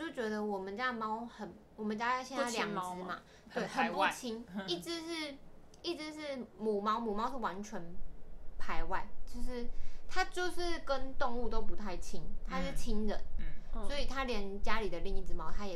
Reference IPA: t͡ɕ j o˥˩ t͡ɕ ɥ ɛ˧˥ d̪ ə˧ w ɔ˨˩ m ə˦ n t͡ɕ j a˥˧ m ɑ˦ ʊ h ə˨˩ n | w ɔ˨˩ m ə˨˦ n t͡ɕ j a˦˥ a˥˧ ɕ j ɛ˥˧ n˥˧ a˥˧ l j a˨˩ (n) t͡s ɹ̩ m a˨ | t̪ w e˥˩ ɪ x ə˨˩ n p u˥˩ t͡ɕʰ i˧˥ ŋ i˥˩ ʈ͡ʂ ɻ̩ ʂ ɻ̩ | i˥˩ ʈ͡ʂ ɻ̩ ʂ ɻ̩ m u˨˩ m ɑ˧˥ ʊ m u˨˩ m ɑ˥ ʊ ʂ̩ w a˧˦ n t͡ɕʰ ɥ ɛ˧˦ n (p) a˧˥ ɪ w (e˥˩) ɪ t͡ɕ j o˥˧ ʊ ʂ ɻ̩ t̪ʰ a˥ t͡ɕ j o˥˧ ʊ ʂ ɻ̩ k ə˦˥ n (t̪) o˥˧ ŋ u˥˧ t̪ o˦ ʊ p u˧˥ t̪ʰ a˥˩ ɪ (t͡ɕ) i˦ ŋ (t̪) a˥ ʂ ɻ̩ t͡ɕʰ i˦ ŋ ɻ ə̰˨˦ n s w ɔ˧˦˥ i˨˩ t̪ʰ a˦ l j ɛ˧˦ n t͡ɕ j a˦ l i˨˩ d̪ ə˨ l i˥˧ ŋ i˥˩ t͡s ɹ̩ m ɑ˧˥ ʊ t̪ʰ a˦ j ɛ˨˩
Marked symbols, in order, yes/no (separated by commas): no, no, no, yes, no, no